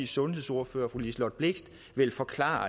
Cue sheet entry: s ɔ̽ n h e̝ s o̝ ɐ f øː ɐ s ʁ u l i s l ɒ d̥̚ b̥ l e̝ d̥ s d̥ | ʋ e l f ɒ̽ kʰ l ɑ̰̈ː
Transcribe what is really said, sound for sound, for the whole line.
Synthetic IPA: s ɔ̽ n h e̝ s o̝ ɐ f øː ɐ f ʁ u l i s l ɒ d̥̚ b̥ l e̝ ɡ̥ s d̥ | ʋ e l f ɒ̽ kʰ l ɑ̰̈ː